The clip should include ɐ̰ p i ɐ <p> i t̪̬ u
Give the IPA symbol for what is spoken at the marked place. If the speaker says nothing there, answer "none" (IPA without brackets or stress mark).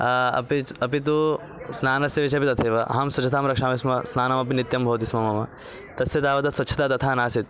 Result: p